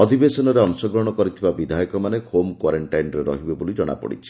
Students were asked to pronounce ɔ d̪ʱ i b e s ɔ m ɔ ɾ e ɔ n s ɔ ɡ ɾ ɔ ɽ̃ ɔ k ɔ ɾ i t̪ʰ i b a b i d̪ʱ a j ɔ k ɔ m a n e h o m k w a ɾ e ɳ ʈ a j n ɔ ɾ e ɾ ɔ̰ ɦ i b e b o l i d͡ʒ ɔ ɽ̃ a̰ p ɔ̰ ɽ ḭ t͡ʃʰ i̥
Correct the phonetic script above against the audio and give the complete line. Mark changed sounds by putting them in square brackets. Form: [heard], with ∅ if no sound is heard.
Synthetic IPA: ɔ d̪ʱ i b e s ɔ [n] ɔ ɾ e ɔ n s ɔ ɡ ɾ ɔ ɽ̃ ɔ k ɔ ɾ i t̪ʰ i b a b i d̪ʱ a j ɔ k ɔ m a n e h o m k w a ɾ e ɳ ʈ a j n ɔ ɾ e ɾ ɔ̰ ɦ i b e b o l i d͡ʒ ɔ ɽ̃ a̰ p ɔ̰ ɽ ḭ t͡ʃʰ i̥